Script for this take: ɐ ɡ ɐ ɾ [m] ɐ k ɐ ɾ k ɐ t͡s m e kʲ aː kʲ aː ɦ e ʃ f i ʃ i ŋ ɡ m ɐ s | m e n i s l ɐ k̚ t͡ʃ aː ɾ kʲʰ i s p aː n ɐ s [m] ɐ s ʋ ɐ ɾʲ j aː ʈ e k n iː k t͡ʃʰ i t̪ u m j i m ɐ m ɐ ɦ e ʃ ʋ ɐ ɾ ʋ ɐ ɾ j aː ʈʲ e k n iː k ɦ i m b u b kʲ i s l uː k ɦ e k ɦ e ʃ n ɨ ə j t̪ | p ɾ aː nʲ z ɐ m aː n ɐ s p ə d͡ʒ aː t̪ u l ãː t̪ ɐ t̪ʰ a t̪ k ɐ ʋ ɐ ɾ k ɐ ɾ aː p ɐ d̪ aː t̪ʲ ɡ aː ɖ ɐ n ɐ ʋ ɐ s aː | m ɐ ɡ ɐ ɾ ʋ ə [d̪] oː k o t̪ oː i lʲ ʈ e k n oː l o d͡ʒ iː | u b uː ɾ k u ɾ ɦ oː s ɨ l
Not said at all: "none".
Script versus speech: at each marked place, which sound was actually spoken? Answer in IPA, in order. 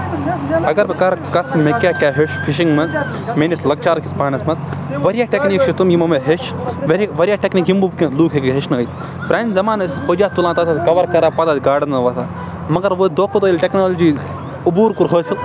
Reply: b, m, d̪

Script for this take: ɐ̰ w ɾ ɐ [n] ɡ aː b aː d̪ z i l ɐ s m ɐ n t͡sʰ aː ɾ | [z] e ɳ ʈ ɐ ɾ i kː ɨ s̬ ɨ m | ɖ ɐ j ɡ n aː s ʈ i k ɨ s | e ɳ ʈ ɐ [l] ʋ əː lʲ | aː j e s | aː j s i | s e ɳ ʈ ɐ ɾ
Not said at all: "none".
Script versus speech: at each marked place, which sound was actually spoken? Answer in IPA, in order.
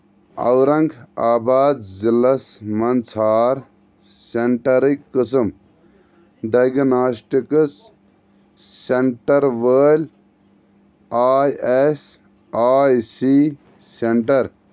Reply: ŋ, s, ɾ

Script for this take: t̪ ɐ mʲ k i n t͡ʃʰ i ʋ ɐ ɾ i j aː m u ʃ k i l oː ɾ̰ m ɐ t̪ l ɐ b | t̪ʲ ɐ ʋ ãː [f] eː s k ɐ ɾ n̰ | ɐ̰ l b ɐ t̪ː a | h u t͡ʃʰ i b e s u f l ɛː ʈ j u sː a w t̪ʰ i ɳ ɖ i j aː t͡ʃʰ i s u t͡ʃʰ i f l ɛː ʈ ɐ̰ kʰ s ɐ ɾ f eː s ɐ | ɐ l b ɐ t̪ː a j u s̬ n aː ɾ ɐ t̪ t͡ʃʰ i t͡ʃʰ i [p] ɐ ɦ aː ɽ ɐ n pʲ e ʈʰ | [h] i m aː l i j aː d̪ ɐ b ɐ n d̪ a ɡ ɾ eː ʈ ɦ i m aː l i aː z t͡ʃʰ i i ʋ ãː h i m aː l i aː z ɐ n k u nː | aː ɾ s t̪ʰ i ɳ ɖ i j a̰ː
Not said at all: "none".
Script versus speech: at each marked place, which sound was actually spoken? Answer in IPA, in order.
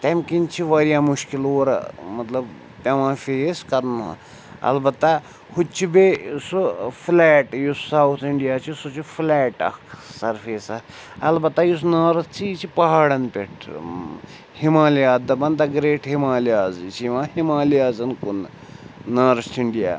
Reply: f, p, h

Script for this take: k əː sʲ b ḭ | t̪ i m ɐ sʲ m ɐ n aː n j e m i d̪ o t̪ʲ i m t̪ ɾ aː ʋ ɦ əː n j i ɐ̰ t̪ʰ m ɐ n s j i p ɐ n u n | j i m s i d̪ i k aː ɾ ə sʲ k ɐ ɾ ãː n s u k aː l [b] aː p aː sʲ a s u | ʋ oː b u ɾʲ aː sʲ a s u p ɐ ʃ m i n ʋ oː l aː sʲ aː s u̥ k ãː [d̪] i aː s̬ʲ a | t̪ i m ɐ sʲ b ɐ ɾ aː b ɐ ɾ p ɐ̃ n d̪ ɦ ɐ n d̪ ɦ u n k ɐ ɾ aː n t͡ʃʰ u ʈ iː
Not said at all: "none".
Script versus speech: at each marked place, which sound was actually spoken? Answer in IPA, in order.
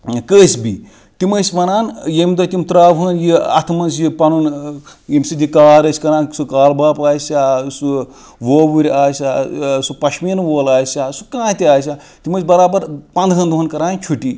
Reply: b, t̪

